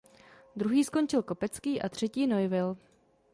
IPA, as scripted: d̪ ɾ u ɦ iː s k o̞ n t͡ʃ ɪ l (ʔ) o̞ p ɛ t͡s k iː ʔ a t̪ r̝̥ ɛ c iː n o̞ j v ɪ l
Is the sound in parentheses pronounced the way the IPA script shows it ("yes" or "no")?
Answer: no